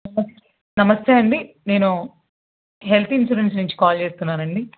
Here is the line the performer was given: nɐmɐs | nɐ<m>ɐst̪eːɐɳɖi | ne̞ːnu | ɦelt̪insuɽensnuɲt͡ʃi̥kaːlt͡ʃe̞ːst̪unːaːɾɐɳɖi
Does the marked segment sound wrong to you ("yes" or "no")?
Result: no